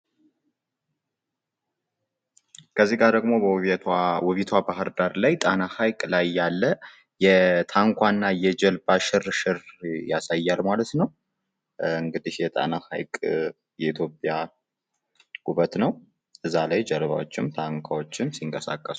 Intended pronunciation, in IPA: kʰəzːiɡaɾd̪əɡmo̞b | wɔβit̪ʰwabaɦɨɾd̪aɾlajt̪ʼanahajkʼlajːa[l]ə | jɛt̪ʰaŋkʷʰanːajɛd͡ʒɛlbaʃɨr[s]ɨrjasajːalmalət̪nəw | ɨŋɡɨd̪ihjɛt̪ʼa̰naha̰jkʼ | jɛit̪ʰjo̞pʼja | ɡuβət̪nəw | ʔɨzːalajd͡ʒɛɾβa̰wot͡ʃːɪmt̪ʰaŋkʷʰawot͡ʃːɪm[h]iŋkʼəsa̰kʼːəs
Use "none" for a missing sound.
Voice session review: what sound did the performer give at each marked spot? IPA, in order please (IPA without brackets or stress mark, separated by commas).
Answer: lː, ʃ, s